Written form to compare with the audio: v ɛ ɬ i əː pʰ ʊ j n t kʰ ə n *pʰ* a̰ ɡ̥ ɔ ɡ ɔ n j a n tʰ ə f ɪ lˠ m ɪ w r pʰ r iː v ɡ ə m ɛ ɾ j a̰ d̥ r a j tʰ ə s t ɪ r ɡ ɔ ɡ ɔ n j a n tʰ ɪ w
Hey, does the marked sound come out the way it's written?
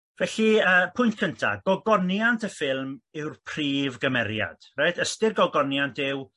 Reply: no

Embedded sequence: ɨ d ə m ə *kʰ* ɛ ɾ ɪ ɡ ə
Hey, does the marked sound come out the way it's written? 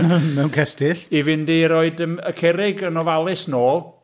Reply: yes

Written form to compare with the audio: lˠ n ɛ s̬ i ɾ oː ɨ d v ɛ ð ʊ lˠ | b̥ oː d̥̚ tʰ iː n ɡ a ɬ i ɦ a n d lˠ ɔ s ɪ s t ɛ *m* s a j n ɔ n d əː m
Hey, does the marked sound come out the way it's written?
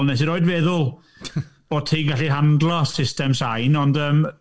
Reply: yes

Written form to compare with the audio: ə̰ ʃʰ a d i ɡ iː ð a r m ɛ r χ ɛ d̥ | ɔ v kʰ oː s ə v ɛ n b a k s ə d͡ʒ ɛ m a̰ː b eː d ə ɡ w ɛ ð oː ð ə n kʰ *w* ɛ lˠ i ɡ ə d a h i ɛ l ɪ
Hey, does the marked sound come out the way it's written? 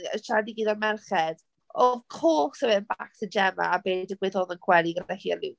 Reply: yes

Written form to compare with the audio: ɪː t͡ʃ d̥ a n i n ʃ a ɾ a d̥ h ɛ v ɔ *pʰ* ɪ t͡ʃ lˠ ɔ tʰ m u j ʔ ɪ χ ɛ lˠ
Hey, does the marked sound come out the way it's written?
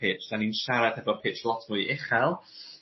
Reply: yes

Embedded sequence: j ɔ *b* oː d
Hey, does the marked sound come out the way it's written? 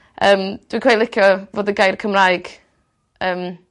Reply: no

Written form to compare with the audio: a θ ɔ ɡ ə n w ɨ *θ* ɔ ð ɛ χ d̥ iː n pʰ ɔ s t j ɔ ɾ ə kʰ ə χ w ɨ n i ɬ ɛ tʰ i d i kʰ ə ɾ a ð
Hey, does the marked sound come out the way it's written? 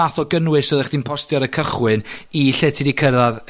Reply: no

